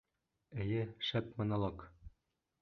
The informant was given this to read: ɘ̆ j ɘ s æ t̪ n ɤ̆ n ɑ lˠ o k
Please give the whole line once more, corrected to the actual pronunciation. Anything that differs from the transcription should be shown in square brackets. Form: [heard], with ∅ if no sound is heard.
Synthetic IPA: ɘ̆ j ɘ [ʃ] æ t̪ [m] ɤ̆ n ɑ lˠ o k